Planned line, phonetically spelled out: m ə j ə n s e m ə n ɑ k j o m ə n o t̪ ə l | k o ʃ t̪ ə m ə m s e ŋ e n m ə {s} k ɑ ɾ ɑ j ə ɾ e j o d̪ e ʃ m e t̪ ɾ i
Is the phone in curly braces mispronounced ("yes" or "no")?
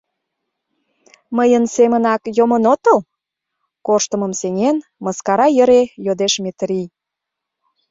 no